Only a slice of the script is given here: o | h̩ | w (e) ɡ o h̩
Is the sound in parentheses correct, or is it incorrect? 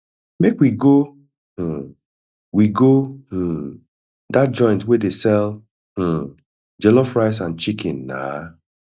incorrect